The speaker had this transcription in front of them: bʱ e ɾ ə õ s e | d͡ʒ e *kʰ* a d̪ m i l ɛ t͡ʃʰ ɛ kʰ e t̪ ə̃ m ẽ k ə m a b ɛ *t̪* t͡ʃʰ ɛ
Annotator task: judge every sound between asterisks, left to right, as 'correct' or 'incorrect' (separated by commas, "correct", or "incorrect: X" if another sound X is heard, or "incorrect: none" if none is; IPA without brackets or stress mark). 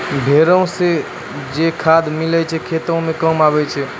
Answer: correct, incorrect: none